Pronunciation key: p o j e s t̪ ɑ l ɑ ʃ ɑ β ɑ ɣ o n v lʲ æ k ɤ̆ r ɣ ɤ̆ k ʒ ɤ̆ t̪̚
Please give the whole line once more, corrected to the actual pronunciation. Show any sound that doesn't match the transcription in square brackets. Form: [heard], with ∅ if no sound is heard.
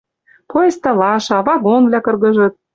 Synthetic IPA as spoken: p o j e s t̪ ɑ l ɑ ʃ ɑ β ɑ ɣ o n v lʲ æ k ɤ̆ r ɣ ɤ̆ [∅] ʒ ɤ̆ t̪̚